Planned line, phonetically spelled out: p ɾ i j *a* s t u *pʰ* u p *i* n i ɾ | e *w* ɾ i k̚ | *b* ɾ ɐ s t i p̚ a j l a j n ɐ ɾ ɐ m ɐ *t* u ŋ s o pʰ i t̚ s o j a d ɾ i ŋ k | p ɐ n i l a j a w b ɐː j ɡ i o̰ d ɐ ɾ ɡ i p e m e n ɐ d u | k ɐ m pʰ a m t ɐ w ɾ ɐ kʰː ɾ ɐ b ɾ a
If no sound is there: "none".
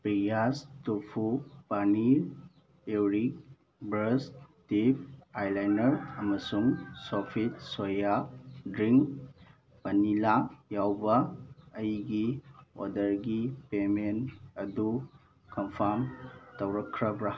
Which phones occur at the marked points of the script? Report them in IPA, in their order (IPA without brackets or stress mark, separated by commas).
a, pʰ, a, w, b, s